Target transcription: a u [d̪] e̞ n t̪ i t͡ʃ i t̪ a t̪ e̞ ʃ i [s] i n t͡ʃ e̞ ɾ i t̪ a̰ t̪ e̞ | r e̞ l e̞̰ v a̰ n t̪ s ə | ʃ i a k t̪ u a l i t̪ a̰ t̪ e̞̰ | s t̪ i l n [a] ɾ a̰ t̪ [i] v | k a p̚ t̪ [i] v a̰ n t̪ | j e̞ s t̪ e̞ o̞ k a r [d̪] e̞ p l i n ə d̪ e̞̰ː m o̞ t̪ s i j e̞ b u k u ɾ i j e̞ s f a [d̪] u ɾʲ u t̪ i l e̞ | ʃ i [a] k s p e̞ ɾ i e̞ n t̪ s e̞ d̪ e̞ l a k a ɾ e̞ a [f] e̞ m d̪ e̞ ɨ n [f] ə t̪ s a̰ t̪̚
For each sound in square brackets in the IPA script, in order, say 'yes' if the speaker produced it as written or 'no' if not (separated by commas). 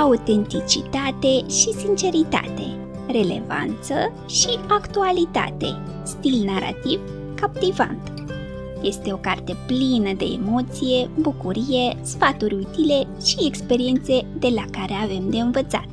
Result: no, yes, yes, yes, yes, no, no, no, no, no